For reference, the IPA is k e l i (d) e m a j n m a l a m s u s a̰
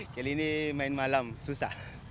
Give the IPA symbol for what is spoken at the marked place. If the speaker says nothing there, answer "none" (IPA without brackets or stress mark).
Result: n